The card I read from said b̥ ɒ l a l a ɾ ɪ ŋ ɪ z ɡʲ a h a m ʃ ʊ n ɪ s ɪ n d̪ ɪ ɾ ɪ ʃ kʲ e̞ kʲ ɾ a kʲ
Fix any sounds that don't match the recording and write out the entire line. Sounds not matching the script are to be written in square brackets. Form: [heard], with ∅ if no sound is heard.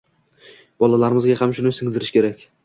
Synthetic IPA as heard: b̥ ɒ l a l a ɾ ɪ [m] ɪ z ɡʲ a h a m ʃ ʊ n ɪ s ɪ [ŋ] d̪ ɪ ɾ ɪ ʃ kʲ e̞ [∅] ɾ a kʲ